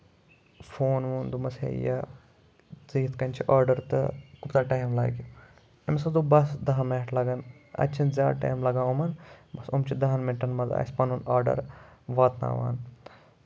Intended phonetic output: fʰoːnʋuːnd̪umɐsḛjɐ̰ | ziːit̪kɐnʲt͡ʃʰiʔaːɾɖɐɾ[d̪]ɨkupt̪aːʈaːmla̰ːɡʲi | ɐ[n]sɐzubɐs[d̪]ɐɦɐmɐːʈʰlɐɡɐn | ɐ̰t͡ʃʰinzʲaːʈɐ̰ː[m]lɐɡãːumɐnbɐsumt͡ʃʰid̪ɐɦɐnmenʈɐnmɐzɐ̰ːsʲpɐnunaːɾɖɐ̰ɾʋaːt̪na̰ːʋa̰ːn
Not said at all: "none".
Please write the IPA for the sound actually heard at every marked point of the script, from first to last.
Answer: t̪, m, d̪, m

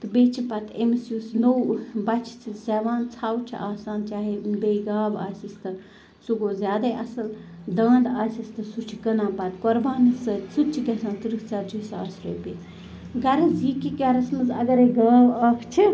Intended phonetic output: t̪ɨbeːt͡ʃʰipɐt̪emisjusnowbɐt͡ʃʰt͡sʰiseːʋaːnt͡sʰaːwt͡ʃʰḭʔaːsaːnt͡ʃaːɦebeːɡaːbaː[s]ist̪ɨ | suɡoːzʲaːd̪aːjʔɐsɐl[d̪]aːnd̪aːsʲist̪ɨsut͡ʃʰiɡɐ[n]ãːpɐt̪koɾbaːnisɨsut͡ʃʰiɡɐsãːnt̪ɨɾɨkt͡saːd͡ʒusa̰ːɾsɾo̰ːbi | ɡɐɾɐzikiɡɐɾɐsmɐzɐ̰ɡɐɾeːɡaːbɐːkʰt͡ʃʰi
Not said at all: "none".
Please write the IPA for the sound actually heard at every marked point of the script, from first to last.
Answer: s, d̪, n

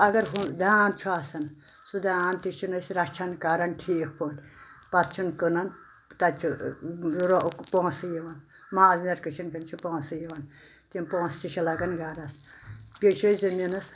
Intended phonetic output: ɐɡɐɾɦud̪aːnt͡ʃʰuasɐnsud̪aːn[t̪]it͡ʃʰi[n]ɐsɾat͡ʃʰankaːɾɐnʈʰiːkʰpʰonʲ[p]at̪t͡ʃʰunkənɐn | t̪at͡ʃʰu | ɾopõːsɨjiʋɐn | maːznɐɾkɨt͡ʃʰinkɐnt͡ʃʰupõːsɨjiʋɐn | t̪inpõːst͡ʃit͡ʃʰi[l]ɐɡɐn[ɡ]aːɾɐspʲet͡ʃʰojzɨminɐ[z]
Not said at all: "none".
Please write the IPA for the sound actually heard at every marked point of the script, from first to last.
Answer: t̪, n, p, l, ɡ, s

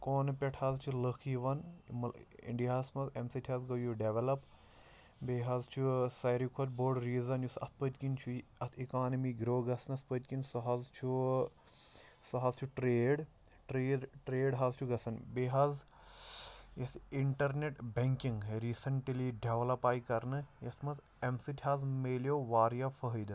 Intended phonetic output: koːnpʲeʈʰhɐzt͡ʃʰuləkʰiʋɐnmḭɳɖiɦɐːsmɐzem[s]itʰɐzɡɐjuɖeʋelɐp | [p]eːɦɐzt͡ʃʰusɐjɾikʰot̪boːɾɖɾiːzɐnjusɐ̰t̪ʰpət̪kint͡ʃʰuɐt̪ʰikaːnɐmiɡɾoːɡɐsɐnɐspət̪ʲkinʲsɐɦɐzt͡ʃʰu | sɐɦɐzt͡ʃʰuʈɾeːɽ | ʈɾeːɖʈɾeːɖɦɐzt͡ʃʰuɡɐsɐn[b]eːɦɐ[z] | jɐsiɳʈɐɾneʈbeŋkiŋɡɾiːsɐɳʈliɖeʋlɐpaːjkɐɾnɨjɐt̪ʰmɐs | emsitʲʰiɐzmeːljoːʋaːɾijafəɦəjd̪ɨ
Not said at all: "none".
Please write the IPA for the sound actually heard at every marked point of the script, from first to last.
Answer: s, b, b, z

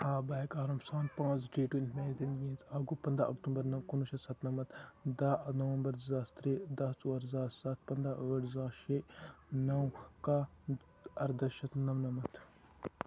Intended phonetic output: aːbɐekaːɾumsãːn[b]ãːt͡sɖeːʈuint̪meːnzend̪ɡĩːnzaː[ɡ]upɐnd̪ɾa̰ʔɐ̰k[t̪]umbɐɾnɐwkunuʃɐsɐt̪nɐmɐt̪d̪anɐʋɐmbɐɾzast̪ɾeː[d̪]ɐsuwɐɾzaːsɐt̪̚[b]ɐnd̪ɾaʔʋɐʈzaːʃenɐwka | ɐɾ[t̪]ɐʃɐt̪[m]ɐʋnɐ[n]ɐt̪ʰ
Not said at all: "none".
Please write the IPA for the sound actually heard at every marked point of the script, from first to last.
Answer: p, ɡ, t̪, d̪, p, d̪, n, m

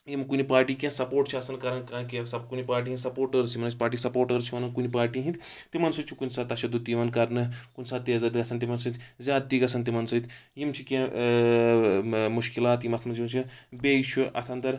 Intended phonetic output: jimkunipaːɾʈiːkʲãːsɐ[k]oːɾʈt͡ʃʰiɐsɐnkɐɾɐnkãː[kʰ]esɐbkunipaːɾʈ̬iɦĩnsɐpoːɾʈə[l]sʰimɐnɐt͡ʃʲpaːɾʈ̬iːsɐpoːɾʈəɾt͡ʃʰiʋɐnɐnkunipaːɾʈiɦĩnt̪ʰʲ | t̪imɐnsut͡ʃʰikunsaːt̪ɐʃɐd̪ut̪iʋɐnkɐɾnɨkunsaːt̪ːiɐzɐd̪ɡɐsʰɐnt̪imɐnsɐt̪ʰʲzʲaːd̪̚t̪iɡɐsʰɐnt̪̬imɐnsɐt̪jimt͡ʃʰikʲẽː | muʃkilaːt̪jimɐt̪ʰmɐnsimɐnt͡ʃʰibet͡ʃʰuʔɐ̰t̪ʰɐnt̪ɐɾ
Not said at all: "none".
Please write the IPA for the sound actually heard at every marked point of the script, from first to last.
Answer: p, k, ɾ

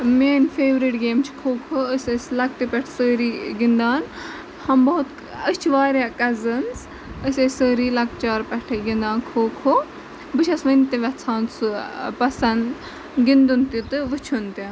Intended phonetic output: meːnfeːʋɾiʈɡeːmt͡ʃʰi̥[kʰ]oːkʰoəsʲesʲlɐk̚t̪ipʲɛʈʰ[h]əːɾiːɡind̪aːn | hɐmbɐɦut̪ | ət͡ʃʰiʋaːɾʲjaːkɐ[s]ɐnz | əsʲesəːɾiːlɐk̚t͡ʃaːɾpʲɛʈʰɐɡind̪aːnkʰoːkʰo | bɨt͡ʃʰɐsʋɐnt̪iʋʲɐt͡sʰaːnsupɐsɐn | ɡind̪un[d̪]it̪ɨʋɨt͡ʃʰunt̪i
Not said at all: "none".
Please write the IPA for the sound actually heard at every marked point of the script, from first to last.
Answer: kʰ, s, z, t̪

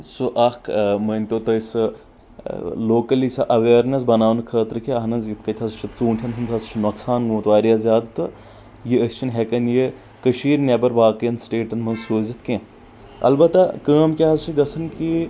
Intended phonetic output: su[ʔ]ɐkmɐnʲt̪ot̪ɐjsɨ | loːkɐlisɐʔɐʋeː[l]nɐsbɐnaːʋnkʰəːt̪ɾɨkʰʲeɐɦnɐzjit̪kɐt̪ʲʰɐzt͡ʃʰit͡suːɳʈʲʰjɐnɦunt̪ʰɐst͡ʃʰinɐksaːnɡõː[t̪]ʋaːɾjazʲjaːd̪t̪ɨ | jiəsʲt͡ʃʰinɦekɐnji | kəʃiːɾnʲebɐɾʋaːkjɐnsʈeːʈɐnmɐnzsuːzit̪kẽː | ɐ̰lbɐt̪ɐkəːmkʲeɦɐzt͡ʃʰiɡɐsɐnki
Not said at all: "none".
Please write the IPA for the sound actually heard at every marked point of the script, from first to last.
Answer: ʔ, ɾ, t̪

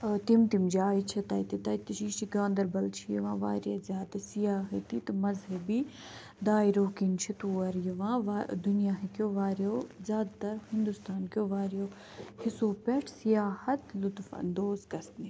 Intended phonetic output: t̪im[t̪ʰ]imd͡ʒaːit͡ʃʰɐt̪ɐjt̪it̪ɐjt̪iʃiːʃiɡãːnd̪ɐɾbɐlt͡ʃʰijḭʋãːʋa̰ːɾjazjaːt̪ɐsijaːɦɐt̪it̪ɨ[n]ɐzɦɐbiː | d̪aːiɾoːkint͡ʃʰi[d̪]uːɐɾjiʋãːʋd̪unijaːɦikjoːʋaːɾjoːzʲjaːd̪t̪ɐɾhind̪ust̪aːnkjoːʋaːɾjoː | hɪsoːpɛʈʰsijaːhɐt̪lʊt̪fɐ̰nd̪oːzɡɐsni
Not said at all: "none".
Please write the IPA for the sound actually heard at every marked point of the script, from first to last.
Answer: t̪, m, t̪

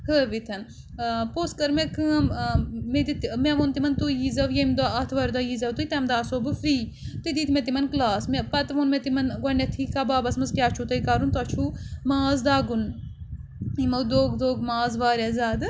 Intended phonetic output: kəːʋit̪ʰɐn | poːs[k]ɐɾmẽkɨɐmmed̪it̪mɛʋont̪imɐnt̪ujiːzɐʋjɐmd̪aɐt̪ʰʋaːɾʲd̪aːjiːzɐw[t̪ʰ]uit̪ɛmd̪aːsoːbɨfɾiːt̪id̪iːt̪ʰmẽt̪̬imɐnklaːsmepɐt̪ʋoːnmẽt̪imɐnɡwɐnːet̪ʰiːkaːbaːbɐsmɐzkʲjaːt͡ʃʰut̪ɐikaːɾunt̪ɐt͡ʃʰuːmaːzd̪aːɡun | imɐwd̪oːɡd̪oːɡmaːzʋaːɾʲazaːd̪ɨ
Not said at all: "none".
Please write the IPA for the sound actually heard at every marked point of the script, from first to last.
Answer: k, t̪

